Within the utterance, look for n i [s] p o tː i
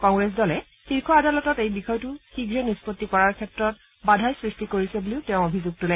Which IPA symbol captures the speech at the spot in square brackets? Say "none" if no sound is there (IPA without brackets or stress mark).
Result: s